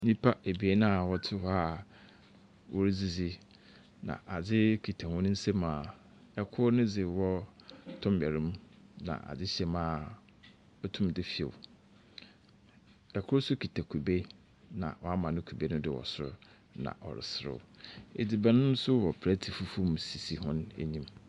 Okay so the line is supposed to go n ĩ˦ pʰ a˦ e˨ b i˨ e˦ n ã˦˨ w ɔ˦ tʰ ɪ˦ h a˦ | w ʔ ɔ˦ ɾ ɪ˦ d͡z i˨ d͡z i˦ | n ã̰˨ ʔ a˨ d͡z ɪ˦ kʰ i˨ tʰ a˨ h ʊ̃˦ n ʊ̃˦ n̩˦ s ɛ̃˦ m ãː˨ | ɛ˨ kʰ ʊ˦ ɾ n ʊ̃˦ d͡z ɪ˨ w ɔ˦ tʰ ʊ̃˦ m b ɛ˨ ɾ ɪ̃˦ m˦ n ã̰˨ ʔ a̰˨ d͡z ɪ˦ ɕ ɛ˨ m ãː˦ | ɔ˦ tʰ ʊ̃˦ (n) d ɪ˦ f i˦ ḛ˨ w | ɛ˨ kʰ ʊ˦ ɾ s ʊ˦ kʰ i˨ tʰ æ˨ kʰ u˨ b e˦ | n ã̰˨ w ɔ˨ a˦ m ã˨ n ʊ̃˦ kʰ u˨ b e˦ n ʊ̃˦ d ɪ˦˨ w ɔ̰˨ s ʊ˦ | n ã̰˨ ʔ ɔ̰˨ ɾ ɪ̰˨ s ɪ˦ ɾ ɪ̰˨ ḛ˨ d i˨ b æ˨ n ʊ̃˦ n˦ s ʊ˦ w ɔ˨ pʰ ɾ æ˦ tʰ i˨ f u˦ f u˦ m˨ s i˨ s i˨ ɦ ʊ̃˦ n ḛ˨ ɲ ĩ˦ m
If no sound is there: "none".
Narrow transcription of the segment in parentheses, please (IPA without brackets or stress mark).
m